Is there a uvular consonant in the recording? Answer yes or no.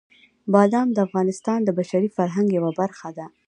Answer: no